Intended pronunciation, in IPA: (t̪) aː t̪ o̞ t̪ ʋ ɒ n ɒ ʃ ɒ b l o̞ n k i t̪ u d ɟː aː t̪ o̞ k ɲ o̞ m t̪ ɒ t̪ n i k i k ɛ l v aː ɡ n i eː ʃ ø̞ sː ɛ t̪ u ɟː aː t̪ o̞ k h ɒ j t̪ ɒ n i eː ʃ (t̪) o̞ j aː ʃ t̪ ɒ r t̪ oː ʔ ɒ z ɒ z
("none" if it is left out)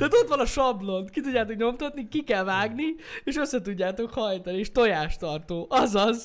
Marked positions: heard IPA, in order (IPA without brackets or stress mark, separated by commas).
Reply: t̪, t̪